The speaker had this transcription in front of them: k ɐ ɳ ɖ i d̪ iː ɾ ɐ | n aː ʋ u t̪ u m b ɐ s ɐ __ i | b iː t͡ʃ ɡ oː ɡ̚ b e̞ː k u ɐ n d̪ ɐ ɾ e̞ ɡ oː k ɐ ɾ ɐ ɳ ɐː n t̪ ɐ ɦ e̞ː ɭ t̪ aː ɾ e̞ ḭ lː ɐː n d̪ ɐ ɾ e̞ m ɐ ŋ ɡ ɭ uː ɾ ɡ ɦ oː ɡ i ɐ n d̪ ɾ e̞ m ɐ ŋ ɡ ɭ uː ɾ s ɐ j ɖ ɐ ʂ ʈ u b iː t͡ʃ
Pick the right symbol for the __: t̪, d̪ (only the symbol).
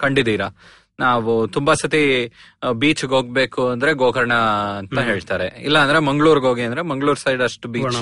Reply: t̪